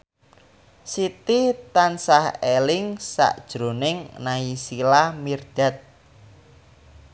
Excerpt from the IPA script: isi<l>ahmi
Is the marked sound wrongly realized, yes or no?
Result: no